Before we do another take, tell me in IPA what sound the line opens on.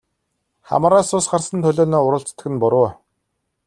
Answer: χ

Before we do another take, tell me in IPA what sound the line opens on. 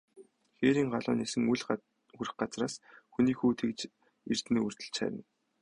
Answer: x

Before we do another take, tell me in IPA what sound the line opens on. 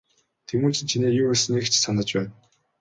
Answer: t̪ʰ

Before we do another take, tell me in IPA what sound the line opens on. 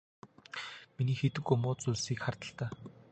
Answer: m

